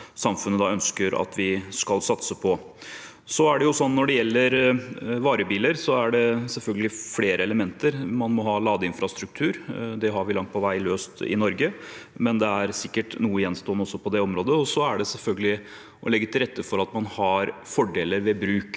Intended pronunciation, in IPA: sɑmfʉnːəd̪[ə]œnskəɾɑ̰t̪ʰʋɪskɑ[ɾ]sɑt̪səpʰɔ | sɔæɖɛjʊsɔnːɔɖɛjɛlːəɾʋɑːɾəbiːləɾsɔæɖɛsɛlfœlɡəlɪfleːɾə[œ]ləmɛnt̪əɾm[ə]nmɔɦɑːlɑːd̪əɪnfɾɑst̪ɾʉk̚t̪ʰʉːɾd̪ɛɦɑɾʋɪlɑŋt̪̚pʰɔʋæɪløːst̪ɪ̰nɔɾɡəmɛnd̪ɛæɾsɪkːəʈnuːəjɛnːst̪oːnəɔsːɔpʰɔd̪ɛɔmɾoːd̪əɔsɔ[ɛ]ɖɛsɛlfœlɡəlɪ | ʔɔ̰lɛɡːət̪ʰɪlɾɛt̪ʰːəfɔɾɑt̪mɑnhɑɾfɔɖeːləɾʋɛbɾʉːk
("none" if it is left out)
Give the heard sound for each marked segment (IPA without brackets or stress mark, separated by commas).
ɑ, l, ɛ, ɑ, æ